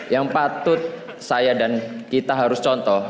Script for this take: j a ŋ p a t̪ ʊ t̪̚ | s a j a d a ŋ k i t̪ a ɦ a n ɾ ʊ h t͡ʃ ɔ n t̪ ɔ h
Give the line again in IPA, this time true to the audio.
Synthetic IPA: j a ŋ p a t̪ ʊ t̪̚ | s a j a d a n k i t̪ a ɦ a ɾ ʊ s t͡ʃ ɔ n t̪ ɔ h